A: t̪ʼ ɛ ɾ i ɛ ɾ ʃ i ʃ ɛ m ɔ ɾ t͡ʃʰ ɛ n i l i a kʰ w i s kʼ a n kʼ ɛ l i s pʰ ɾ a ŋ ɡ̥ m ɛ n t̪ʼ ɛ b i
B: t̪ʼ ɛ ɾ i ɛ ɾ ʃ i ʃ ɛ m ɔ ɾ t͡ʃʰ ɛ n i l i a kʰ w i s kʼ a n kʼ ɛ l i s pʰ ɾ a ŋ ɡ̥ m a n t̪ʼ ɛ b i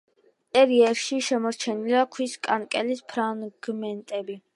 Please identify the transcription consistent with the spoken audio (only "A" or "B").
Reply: A